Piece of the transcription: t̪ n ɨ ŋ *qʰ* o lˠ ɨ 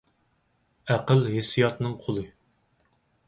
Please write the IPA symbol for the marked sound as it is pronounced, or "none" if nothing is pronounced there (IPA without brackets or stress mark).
qʰ